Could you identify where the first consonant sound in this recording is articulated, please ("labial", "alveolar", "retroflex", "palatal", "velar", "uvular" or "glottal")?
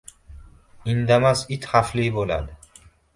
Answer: alveolar